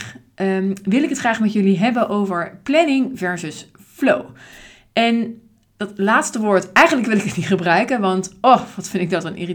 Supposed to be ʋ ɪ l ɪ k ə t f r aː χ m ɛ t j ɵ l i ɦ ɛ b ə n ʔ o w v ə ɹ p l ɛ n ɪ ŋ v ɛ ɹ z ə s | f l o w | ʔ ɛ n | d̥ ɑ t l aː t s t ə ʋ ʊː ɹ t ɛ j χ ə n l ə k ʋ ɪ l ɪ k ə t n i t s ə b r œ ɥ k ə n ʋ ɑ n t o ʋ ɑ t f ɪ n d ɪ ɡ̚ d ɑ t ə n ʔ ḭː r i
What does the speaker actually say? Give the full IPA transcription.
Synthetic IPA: ʋ ɪ l ɪ k ə t χ r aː χ m ɛ t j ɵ l i ɦ ɛ b ə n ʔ o w v ə ɹ p l ɛ n ɪ ŋ v ɛ ɹ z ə s | f l o w | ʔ ɛ n | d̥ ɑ t l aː t s t ə ʋ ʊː ɹ t ɛ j χ ə n l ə k ʋ ɪ l ɪ k ə t n i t χ ə b r œ ɥ k ə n ʋ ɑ n t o ʋ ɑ t f ɪ n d ɪ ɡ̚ d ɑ t ə n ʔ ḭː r i